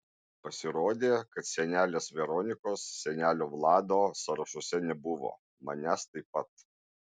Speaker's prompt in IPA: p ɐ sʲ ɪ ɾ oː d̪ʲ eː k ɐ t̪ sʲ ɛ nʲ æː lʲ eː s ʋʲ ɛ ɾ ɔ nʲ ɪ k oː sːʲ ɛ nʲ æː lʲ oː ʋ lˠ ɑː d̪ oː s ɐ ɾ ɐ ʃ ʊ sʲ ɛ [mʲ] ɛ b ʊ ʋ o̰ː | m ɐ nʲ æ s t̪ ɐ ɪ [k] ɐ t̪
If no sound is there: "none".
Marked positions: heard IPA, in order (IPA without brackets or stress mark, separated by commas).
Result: nʲ, p